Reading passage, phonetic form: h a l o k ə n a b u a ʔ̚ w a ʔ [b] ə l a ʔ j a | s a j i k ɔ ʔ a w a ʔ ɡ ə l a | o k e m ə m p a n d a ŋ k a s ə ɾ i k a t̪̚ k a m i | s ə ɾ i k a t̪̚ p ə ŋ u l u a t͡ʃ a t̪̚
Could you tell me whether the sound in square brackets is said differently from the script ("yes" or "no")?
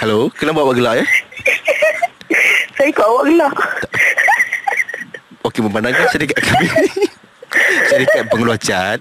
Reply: yes